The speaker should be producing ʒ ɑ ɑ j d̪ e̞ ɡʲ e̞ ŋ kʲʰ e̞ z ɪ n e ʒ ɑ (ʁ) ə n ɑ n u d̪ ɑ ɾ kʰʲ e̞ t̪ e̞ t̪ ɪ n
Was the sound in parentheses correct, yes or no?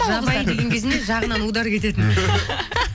yes